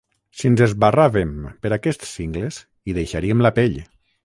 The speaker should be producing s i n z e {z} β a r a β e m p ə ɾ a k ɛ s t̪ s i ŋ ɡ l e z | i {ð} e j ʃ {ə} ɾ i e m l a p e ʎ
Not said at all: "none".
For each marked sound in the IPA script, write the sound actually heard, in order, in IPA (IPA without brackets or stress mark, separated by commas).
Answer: z, ð, a